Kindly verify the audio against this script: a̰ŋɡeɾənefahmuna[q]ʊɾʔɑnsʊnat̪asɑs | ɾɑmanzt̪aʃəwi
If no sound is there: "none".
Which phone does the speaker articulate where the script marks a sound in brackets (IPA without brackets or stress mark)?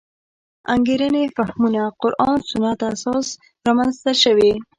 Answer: q